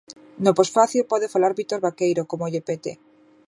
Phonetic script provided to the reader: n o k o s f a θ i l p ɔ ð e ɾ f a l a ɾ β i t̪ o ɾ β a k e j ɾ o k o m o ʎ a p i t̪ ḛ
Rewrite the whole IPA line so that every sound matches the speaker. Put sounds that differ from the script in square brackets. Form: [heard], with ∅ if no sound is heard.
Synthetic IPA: n o [p] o s f a θ i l p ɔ ð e [∅] f a l a ɾ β i t̪ o ɾ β a k e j ɾ o k o m o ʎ [e] p [e] t̪ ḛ

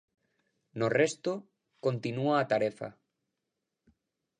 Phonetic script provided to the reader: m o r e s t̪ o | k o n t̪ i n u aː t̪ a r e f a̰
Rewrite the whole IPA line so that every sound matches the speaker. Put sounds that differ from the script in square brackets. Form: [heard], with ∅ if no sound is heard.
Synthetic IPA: [n] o r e s t̪ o | k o n t̪ i n u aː t̪ a [ɾ] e f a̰

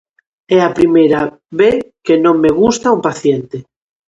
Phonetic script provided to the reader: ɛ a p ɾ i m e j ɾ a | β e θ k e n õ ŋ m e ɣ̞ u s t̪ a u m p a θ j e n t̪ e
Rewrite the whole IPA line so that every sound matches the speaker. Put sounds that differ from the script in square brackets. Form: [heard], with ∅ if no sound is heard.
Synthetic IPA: ɛ a p ɾ i m e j ɾ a | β e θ k e n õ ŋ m e ɣ̞ u s t̪ a u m p a θ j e n t̪ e

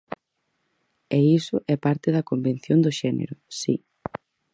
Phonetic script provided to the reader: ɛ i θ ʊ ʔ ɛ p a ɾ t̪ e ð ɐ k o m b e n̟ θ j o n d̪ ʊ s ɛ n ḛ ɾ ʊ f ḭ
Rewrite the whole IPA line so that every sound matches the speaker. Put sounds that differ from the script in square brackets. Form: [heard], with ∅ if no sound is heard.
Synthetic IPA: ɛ i [s] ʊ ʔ ɛ p a ɾ t̪ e ð ɐ k o m b e n̟ θ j o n d̪ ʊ [ʃ] ɛ n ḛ ɾ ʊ [s] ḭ

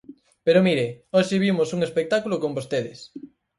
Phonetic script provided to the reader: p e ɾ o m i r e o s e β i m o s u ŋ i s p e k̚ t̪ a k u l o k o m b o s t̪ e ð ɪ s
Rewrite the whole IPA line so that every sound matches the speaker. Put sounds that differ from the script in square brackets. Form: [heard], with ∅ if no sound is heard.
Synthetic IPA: p e ɾ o m i [ɾ] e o [ʃ] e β i m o s u ŋ [e] s p e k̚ t̪ a k u l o k o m b o s t̪ e ð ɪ s

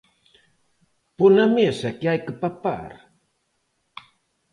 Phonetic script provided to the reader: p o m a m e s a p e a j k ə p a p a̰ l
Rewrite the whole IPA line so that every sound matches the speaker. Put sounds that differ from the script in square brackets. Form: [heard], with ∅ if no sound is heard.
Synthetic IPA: p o [n] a m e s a [k] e a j k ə p a p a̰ [ɾ]

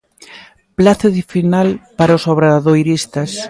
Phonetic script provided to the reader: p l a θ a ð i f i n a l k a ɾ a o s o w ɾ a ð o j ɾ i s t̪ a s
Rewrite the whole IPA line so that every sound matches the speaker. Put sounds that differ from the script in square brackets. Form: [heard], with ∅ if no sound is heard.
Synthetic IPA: p l a θ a ð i f i n a l [p] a ɾ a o s o [β] ɾ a ð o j ɾ i s t̪ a s

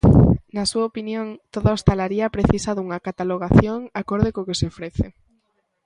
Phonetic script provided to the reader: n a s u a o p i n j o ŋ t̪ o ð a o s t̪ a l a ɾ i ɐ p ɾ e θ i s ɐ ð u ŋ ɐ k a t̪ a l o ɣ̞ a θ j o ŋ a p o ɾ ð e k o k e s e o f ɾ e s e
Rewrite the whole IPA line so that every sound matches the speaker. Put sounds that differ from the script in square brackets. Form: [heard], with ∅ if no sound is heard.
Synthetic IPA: n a s u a o p i n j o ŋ t̪ o ð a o s t̪ a l a ɾ i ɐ p ɾ e θ i s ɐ ð u ŋ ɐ k a t̪ a l o ɣ̞ a θ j o ŋ a [k] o ɾ ð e k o k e s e o f ɾ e [θ] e

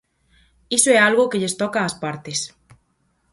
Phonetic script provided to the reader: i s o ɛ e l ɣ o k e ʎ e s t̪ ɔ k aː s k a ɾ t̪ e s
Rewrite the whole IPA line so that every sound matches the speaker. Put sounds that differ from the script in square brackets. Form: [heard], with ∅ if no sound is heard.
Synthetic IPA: i s o ɛ [a] l ɣ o k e ʎ e s t̪ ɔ k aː s [p] a ɾ t̪ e s

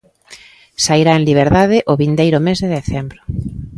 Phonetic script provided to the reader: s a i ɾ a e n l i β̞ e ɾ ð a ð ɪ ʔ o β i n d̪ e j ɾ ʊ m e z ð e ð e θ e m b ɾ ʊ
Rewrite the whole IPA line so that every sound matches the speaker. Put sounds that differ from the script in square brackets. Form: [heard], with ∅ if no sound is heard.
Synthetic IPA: s a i ɾ a e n l i β̞ e ɾ ð a ð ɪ ʔ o β i n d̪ e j ɾ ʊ m e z ð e ð e θ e m b ɾ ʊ

